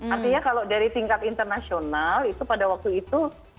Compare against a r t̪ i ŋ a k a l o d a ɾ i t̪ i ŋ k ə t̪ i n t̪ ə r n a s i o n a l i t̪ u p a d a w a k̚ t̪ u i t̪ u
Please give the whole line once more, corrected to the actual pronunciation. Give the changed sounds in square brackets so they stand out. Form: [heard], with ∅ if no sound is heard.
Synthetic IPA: a r t̪ i [ɲ] a k a l o d a ɾ i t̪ i ŋ k [a] t̪ i n t̪ ə r n a s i o n a l i t̪ u p a d a w a k̚ t̪ u i t̪ u